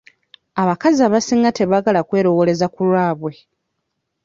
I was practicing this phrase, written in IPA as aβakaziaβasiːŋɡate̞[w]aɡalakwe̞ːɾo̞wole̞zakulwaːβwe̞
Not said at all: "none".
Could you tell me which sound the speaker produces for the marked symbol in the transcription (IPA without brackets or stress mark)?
β